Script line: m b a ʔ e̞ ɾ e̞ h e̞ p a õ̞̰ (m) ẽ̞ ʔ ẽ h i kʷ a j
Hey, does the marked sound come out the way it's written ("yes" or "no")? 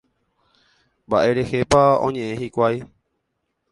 no